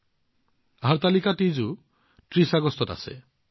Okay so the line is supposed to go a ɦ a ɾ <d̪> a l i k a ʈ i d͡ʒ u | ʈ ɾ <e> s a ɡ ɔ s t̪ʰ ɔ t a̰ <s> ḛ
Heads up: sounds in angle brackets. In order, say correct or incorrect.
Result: incorrect: t̪, incorrect: i, correct

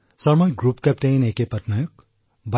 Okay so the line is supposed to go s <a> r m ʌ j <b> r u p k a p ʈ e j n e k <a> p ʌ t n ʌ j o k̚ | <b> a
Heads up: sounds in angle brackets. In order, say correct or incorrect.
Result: incorrect: ʌ, incorrect: ɡ, incorrect: e, correct

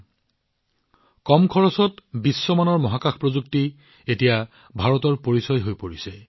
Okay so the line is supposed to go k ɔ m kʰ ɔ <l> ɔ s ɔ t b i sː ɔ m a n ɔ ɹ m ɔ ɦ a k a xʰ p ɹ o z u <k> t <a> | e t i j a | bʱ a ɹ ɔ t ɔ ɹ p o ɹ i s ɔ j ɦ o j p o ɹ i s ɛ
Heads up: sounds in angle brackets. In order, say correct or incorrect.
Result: incorrect: ɹ, correct, incorrect: i

